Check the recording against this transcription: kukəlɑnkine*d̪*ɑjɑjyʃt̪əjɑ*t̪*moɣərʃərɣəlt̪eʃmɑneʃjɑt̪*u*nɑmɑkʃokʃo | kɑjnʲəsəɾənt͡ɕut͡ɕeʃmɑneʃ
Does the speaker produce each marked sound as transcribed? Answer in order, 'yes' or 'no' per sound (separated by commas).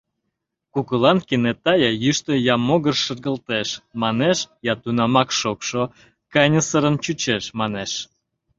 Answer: no, no, yes